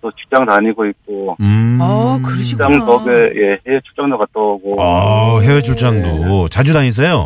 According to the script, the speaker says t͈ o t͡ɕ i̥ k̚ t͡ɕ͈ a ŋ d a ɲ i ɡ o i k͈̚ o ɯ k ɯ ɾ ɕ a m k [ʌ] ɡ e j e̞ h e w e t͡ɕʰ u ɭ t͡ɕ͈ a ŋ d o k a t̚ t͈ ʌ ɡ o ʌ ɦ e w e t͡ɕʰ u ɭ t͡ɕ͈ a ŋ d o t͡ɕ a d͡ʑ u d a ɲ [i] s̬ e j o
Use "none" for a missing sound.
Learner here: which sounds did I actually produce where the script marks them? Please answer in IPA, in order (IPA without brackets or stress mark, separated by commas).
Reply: ʌ, i